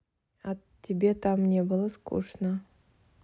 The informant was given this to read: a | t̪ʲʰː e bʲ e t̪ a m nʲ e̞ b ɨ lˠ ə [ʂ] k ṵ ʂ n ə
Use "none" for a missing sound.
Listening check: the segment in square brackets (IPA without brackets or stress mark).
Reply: s